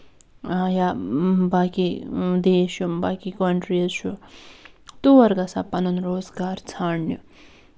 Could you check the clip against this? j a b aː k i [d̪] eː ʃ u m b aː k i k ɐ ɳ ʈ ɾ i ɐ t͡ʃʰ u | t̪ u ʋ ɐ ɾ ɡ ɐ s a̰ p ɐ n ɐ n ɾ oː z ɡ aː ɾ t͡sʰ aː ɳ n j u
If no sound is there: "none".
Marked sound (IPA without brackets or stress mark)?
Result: d̪